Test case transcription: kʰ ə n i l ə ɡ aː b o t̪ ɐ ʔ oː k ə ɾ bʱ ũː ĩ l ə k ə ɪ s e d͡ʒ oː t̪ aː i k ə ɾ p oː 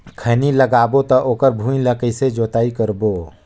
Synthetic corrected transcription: kʰ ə n i l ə ɡ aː b o t̪ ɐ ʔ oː k ə ɾ bʱ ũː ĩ l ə k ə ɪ s e d͡ʒ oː t̪ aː i k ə ɾ b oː